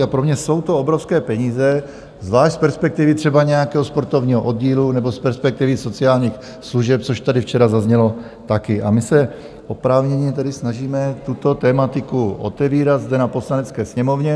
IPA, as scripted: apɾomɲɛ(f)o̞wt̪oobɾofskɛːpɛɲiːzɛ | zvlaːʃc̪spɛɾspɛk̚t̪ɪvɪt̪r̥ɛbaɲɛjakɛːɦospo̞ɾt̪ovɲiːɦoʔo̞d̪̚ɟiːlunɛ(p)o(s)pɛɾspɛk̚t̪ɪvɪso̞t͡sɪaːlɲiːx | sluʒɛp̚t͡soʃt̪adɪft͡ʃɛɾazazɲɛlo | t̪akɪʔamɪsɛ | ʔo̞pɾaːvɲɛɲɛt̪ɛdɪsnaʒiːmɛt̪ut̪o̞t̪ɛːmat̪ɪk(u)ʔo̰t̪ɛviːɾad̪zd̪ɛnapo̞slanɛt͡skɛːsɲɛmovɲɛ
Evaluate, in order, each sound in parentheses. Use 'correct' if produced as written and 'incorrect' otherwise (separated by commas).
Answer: incorrect, incorrect, correct, correct